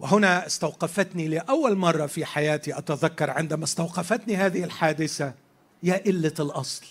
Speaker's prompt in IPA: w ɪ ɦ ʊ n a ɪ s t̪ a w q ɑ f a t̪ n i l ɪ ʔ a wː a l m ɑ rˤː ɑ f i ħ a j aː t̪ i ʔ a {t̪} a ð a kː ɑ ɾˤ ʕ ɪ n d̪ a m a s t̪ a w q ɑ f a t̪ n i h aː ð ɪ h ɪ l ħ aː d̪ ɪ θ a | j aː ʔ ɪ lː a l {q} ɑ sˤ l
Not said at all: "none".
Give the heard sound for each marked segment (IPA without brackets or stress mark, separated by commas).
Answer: t̪, ʔ